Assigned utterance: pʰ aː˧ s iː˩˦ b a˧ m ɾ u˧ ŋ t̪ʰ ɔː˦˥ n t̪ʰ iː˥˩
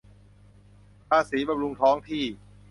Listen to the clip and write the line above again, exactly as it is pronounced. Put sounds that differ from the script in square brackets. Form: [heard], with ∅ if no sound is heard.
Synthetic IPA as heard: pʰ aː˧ s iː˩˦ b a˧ m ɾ u˧ ŋ t̪ʰ ɔː˦˥ [ŋ] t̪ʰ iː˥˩